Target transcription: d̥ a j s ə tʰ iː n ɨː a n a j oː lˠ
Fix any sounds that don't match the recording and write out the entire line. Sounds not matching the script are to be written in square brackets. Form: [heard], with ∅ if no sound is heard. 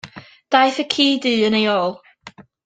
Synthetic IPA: d̥ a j [θ] ə [kʰ] iː [d] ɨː [ə] n [e] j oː lˠ